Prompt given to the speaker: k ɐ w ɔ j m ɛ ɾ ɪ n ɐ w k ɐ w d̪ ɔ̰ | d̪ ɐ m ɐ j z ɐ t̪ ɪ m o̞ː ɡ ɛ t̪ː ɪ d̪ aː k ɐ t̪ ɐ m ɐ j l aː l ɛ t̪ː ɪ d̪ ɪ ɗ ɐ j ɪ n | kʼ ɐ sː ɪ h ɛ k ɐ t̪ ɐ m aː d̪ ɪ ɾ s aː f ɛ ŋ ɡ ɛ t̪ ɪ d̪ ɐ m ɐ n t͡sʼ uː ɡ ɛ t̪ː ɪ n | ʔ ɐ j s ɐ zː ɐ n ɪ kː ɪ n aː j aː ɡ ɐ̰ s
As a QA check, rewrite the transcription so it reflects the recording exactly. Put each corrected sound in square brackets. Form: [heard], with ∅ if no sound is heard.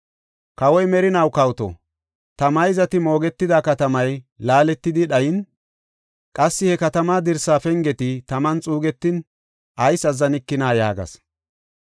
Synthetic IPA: k ɐ w ɔ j m ɛ ɾ ɪ n ɐ w k ɐ w [t̪] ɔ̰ | [t̪] ɐ m ɐ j z ɐ t̪ ɪ m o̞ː ɡ ɛ t̪ː ɪ d̪ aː k ɐ t̪ ɐ m ɐ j l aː l ɛ t̪ː ɪ d̪ ɪ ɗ ɐ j ɪ n | kʼ ɐ sː ɪ h ɛ k ɐ t̪ ɐ m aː d̪ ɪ ɾ s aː f ɛ ŋ ɡ ɛ t̪ ɪ [t̪] ɐ m ɐ n t͡sʼ uː ɡ ɛ t̪ː ɪ n | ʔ ɐ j s ɐ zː ɐ n ɪ kː ɪ n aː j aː ɡ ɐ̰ s